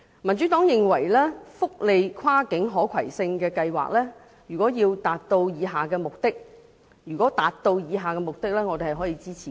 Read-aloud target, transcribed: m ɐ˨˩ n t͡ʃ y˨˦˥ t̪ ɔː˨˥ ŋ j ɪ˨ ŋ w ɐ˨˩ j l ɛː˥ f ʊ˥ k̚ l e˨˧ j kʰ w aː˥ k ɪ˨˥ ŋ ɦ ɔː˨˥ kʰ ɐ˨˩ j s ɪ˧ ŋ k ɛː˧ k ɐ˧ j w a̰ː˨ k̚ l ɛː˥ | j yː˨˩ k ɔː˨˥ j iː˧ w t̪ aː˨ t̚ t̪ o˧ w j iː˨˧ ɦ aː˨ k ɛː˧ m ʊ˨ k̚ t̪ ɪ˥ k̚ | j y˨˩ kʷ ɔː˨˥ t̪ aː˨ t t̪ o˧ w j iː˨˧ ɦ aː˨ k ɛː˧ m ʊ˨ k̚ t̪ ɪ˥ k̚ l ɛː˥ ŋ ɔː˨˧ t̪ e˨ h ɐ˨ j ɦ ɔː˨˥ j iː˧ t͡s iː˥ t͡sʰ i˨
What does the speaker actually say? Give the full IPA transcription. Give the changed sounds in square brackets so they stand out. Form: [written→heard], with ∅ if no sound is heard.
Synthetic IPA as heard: m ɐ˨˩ n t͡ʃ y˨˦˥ t̪ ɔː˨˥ ŋ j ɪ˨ ŋ w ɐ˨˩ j l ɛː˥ f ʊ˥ k̚ l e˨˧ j kʰ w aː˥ k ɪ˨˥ ŋ ɦ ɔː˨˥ kʰ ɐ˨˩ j s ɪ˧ ŋ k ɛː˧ k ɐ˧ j w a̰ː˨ k̚ l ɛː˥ | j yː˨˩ k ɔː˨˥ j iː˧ w t̪ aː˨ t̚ t̪ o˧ w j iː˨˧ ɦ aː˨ k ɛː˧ m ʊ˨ k̚ t̪ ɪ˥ k̚ | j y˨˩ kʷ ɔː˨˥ t̪ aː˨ t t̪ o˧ w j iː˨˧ ɦ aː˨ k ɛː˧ m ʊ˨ k̚ t̪ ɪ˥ k̚ l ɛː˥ ŋ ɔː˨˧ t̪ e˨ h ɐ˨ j ɦ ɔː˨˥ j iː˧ t͡s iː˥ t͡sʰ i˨